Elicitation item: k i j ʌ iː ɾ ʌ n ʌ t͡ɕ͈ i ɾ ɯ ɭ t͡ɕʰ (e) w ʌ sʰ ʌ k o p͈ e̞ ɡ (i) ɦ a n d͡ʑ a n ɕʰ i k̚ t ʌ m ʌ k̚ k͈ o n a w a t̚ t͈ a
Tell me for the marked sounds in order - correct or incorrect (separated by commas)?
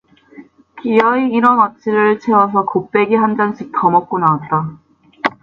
correct, correct